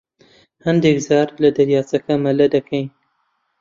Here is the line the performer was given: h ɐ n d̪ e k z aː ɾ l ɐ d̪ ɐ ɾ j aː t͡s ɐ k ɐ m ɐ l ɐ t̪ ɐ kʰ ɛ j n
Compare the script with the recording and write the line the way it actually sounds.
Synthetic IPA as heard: h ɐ n d̪ e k z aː ɾ l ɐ d̪ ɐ ɾ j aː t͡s ɐ k ɐ m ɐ l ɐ d̪ ɐ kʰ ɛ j n